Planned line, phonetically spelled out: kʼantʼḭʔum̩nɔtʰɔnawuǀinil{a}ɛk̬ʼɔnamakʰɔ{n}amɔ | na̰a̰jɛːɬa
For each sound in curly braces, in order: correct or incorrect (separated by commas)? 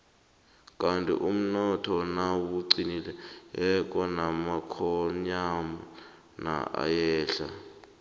incorrect, incorrect